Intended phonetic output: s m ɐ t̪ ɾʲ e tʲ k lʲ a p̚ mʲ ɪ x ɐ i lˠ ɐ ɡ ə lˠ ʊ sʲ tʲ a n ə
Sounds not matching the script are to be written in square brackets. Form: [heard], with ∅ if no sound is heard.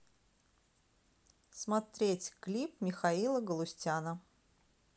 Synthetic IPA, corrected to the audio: s m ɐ t̪ ɾʲ e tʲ k lʲ [i] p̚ mʲ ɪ x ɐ i lˠ [ə] ɡ ə lˠ ʊ sʲ tʲ a n ə